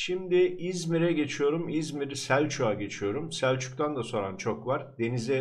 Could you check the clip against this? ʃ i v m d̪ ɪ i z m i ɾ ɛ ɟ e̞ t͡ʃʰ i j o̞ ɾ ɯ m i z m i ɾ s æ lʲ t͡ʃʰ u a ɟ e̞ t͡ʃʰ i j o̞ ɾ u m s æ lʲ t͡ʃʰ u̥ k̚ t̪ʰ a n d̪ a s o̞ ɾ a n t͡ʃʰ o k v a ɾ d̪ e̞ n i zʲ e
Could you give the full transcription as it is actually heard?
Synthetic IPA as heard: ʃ i m d̪ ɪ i z m i ɾ ɛ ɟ e̞ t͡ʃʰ i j o̞ ɾ u m i z m i ɾ s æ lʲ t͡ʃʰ u a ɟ e̞ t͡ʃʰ i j o̞ ɾ u m s æ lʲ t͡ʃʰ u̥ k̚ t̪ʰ a n d̪ a s o̞ ɾ a n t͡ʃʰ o k v a ɾ d̪ e̞ n i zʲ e